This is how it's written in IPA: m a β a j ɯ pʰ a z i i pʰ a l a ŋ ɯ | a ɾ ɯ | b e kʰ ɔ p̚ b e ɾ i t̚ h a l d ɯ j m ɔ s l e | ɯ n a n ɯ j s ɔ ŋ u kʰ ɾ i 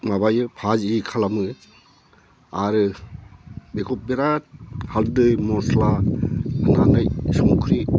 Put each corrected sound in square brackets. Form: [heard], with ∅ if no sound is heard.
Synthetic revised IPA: m a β a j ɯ pʰ a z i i [kʰ] a l a [m] ɯ | a ɾ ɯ | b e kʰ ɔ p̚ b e ɾ [a] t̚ h a l d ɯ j m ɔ s l [a] | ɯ n a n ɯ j s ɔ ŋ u kʰ ɾ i